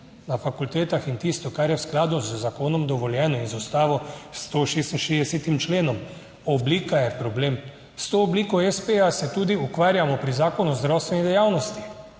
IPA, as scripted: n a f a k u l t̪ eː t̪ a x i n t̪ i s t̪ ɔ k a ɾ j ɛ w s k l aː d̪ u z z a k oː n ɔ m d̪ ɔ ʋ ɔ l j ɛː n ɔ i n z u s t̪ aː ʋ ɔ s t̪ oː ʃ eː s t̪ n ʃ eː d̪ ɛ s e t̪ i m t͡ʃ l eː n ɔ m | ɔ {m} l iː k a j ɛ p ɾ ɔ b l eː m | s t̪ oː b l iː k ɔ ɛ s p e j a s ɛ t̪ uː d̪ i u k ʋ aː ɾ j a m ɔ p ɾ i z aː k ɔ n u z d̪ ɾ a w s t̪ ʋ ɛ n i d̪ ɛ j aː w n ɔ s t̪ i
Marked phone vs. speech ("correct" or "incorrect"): incorrect